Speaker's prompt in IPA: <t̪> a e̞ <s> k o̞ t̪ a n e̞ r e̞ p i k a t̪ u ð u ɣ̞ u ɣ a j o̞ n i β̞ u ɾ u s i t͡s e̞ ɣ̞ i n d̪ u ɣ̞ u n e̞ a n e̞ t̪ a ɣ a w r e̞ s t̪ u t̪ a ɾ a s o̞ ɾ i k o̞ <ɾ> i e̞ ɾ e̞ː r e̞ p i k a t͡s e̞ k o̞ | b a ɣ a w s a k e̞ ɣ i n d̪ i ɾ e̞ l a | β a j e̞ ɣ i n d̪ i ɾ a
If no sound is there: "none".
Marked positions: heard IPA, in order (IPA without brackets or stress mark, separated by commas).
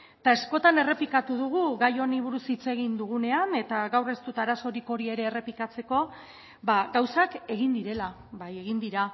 t̪, s, ɾ